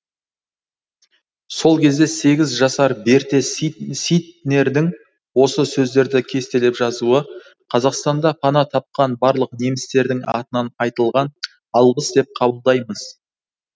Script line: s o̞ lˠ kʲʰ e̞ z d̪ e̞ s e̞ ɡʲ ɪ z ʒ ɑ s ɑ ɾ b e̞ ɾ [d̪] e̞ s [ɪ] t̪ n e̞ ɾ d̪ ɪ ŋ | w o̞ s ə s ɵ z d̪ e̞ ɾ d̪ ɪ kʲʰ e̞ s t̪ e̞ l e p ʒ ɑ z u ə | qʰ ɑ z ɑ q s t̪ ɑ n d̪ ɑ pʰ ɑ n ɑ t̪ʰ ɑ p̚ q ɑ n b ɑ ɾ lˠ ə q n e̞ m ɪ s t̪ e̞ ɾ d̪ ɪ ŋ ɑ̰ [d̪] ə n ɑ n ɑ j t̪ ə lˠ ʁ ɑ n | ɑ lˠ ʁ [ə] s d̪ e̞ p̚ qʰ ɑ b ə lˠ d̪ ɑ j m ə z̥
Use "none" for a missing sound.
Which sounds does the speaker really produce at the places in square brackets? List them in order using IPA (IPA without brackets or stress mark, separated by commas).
t̪, i, t̪, ə